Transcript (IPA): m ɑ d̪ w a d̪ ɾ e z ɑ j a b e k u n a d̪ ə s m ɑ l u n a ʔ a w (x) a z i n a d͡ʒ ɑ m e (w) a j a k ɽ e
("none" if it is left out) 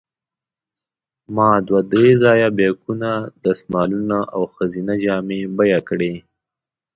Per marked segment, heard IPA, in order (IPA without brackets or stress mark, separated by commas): x, b